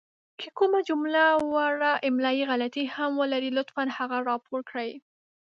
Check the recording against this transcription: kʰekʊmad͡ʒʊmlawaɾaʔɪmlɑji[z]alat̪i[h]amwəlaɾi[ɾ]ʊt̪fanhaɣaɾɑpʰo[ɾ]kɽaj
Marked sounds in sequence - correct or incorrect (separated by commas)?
incorrect, correct, incorrect, correct